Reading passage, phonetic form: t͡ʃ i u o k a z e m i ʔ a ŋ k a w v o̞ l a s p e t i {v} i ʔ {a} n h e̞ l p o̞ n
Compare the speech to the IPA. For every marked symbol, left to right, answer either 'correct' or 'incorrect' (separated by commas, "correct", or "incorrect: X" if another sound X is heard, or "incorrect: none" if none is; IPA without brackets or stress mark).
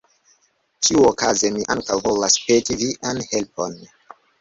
correct, correct